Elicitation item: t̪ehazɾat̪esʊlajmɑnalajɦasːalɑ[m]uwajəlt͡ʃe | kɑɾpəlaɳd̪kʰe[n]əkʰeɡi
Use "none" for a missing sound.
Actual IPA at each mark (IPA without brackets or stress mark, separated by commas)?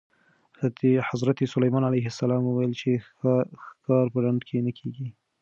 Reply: m, n